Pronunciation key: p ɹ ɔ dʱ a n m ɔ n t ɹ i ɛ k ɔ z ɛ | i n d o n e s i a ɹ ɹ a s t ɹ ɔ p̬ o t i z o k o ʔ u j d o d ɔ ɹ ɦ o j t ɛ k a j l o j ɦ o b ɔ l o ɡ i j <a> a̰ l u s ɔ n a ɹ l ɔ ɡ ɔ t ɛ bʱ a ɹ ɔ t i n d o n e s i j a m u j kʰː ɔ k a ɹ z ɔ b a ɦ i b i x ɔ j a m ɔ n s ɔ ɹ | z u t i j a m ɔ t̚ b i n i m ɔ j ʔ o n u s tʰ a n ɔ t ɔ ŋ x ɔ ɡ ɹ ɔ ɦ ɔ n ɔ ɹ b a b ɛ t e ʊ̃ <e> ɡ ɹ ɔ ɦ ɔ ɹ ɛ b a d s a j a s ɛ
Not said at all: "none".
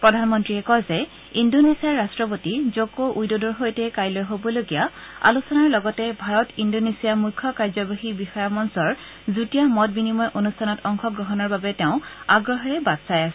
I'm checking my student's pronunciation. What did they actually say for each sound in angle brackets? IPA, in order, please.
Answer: a, a

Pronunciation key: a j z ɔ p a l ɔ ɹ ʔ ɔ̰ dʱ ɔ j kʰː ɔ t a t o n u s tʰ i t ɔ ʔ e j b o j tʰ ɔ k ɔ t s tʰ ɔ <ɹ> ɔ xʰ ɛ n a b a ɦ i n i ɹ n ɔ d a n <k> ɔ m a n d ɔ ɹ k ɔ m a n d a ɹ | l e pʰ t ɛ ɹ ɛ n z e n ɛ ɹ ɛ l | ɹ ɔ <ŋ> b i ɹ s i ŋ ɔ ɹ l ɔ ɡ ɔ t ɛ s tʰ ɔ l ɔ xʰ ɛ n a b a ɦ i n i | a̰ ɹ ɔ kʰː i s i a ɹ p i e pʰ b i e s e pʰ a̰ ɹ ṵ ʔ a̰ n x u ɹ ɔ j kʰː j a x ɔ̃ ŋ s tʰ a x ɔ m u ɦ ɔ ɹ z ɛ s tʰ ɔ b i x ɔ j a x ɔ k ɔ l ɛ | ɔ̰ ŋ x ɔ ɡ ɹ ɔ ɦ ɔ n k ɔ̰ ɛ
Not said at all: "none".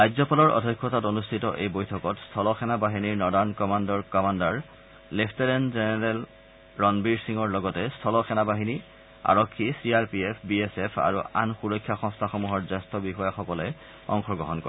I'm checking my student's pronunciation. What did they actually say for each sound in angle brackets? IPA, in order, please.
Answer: l, k, n

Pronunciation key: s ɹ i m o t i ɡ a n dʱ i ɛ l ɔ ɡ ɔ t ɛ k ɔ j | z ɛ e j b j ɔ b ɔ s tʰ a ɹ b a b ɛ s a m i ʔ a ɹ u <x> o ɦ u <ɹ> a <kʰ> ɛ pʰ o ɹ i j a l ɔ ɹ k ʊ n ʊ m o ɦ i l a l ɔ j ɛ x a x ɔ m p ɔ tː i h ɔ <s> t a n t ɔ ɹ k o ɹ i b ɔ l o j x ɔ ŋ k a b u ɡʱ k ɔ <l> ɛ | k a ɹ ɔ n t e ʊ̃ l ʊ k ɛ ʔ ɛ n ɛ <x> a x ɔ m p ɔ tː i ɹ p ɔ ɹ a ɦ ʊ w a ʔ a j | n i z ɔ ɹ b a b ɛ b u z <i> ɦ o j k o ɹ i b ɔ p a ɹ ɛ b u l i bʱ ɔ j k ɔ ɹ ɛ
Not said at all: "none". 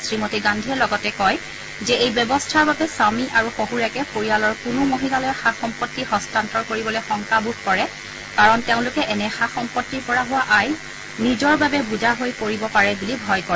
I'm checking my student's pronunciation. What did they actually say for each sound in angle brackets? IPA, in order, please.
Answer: x, ɹ, k, s, ɹ, x, a

